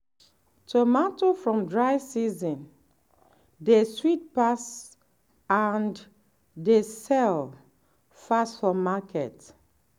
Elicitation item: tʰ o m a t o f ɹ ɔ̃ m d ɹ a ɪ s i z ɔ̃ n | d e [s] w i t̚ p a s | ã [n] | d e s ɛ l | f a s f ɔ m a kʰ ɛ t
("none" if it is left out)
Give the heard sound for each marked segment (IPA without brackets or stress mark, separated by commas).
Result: s, n